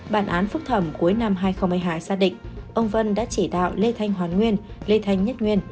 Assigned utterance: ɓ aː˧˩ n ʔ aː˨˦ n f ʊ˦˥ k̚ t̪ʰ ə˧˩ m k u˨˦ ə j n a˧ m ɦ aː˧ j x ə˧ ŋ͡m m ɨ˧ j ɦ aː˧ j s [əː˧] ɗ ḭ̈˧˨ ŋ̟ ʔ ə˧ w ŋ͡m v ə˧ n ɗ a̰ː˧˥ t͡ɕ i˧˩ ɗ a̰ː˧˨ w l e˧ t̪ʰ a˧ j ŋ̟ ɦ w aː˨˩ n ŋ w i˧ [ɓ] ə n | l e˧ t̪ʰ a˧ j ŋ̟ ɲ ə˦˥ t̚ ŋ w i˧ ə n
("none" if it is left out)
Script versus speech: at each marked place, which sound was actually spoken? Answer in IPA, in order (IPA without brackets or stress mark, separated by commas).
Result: aː˧, none